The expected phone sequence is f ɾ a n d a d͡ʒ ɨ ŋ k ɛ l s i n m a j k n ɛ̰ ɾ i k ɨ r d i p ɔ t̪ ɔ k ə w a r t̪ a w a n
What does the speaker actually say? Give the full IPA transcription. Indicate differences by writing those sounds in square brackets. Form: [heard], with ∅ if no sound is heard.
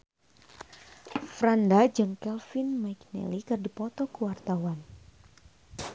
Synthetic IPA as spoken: f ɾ a n d a d͡ʒ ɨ ŋ k ɛ l [f] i n m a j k n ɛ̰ [l] i k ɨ r d i p ɔ t̪ ɔ k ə w a r t̪ a w a n